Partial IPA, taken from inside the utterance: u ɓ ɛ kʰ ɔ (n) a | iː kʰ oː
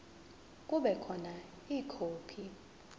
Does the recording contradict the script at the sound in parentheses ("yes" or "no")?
no